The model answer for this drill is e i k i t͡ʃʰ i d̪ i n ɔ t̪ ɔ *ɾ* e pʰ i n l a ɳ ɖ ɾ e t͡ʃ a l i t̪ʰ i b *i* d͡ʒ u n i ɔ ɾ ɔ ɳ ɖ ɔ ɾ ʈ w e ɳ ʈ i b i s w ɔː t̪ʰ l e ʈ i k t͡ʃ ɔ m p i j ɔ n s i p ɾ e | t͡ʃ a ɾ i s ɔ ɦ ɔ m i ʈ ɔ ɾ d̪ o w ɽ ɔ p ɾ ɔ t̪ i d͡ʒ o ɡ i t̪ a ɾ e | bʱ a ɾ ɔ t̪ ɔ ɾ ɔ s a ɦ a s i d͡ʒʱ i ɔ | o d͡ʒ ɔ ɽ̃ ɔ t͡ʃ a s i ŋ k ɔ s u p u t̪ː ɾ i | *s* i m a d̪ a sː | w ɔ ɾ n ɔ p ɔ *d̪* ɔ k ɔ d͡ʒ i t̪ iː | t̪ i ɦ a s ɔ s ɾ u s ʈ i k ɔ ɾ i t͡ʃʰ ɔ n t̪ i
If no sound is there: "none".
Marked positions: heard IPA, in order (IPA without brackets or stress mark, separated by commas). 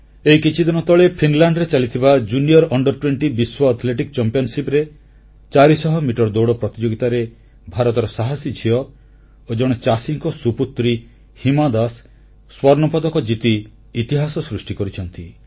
ɭ, a, h, d̪